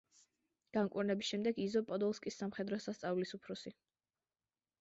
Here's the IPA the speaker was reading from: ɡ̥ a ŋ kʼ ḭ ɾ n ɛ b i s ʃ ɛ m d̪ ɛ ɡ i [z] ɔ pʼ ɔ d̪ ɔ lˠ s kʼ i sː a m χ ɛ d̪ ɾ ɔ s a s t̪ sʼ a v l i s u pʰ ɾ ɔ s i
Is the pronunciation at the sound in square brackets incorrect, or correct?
correct